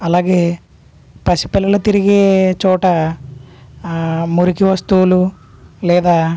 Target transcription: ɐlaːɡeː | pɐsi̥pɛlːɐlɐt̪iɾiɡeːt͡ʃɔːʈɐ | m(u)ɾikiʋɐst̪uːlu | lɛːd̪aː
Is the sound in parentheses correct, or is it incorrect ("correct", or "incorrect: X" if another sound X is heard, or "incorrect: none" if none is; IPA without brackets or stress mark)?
correct